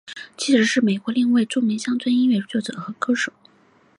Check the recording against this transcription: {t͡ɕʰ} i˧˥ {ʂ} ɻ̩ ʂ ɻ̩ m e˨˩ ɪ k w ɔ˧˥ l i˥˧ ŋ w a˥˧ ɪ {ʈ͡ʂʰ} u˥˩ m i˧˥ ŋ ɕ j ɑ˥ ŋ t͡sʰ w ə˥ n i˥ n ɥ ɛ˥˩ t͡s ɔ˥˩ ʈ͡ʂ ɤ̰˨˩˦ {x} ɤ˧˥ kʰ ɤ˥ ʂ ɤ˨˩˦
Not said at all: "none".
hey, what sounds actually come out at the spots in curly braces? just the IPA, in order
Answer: t͡ɕʰ, ʂ, ʈ͡ʂ, x

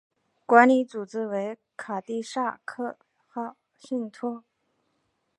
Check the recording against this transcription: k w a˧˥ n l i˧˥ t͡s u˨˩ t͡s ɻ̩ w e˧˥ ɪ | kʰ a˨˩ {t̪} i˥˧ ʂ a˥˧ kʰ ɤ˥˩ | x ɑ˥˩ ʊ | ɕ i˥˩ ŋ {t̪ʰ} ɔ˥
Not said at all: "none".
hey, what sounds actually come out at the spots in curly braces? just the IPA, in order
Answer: t̪, t̪ʰ

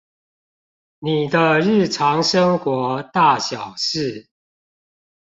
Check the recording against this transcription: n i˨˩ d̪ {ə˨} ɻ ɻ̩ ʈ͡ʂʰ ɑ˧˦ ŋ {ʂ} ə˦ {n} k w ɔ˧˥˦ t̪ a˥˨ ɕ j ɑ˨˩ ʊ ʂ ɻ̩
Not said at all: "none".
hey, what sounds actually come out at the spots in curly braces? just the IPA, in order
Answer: ə˦, ʂ, ŋ

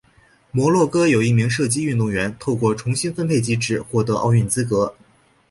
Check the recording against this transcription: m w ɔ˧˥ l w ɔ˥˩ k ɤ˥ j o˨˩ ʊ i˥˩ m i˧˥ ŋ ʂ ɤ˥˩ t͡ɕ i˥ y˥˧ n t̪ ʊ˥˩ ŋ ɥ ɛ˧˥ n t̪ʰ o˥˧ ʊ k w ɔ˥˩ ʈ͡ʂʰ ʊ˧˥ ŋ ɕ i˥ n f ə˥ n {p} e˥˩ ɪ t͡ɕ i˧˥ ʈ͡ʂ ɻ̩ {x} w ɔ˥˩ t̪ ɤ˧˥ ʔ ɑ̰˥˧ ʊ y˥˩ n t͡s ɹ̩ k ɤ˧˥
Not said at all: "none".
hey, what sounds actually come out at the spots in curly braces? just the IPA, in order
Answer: pʰ, x

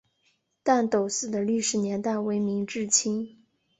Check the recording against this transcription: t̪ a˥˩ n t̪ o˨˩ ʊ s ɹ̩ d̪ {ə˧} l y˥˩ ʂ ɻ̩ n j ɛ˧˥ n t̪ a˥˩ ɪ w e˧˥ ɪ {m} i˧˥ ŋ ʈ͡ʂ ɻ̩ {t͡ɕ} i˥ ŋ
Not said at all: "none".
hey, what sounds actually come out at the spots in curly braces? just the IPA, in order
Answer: ə˩, m, t͡ɕʰ

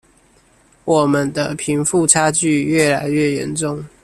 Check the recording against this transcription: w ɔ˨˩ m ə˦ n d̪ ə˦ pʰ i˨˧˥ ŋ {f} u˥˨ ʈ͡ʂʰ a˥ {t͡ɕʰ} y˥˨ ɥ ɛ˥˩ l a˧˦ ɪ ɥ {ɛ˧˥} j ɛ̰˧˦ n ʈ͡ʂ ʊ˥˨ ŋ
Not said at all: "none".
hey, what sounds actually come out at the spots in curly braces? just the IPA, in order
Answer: f, t͡ɕ, ɛ˥˨

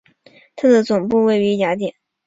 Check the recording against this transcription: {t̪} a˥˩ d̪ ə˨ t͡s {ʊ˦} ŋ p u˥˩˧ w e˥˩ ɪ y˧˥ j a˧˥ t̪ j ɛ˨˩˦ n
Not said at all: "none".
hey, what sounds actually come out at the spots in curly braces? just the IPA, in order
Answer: t̪ʰ, ʊ˨˩

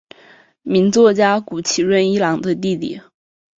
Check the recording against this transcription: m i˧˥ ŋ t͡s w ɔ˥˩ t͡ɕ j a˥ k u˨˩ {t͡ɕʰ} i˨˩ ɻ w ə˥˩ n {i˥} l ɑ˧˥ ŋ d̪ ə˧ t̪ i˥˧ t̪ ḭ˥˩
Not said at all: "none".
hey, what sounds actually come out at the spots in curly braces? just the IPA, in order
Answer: t͡ɕʰ, i˥

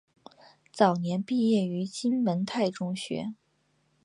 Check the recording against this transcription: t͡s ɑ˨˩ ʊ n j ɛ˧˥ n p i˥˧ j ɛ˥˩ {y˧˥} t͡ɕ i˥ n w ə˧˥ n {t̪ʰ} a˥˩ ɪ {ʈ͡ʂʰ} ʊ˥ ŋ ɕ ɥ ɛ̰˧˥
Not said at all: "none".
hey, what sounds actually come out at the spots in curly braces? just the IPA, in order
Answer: y˧˥, t̪ʰ, ʈ͡ʂ

